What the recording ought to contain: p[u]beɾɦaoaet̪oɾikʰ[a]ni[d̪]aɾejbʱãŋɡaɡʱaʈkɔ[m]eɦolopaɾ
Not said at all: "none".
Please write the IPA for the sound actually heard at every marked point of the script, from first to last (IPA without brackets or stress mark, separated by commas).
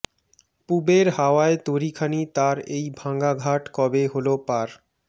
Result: u, a, t̪, b